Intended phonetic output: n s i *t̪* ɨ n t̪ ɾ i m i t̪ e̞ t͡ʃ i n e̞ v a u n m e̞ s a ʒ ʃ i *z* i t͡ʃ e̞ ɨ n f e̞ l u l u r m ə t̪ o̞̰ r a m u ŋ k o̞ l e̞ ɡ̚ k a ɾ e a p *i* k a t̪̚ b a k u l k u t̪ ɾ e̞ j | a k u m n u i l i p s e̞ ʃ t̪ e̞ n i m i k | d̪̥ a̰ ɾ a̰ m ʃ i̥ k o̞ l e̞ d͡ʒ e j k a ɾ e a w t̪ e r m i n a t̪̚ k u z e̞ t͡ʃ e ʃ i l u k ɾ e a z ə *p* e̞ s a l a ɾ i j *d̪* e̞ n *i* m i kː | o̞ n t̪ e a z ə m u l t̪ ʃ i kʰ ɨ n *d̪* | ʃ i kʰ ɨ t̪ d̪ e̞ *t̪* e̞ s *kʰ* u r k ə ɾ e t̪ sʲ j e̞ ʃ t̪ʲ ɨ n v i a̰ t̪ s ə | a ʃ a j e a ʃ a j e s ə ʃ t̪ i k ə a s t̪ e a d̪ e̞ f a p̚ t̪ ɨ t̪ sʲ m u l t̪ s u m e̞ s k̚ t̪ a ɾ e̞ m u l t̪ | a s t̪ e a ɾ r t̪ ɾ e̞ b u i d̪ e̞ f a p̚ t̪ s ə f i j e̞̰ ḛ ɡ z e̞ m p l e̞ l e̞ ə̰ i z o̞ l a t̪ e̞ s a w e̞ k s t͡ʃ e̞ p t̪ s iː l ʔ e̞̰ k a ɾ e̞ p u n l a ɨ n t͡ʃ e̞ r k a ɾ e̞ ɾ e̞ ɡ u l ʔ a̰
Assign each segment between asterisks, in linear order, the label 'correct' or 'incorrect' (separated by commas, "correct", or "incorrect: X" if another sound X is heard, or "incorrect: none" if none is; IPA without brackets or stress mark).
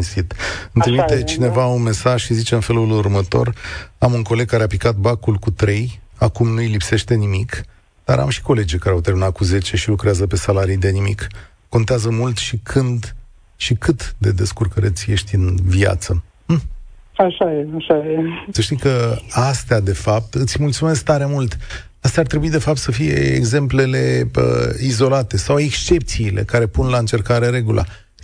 correct, correct, correct, correct, correct, correct, correct, incorrect: d̪, incorrect: k